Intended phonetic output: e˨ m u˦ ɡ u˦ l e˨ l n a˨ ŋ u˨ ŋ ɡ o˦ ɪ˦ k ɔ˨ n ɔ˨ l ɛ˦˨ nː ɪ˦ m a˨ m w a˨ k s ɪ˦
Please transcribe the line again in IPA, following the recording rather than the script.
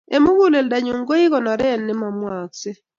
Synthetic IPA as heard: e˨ m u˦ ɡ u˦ l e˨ l d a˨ ɲ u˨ ŋ ɡ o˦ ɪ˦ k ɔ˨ n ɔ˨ ɾ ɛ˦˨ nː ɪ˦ m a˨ m w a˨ k s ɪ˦